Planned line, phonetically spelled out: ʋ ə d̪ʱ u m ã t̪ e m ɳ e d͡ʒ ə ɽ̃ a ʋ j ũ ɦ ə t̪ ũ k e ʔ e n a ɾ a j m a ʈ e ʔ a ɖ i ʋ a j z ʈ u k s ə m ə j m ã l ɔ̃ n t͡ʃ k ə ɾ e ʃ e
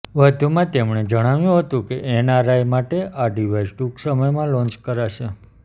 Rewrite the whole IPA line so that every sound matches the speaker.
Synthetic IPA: ʋ ə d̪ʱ u m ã t̪ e m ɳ e d͡ʒ ə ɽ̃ a ʋ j ũ ɦ ə t̪ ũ k e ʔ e n a ɾ a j m a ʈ e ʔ a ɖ i ʋ a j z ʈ u k s ə m ə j m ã l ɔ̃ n t͡ʃ k ə ɾ a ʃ e